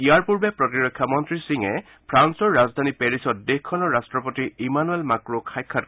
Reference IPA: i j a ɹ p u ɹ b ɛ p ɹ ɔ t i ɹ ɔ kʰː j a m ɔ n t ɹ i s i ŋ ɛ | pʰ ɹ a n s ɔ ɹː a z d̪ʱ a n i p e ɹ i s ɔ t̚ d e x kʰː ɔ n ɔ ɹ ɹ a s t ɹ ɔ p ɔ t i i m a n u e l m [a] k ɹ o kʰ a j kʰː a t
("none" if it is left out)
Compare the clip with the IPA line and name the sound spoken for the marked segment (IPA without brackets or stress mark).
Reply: a